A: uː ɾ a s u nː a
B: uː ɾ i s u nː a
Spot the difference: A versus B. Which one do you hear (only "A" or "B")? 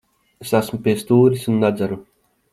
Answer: B